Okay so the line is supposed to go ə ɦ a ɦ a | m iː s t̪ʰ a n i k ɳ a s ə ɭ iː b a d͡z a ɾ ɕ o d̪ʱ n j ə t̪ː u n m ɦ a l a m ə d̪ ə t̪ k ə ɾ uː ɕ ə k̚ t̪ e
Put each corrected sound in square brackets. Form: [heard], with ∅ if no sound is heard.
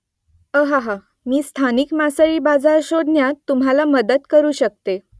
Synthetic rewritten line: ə ɦ a ɦ a | m iː s t̪ʰ a n i k [m] a s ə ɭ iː b a d͡z a ɾ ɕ o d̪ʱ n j [a] t̪ː u [∅] m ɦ a l a m ə d̪ ə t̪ k ə ɾ uː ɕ ə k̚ t̪ e